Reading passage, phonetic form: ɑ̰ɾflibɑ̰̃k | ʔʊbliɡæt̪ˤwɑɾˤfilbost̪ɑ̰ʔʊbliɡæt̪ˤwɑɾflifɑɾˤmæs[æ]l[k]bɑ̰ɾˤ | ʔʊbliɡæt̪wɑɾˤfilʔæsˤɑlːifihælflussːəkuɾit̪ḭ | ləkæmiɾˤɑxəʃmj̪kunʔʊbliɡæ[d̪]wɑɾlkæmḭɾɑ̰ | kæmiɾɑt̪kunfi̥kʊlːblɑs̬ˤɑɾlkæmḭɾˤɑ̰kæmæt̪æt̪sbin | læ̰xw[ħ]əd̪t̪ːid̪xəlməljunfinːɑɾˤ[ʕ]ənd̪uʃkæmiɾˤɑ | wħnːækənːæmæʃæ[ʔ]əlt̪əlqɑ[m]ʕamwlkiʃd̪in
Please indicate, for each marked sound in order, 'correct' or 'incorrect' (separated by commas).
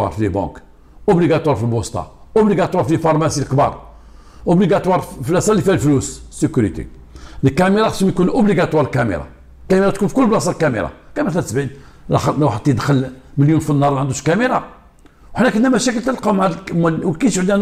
incorrect, correct, incorrect, correct, correct, incorrect, correct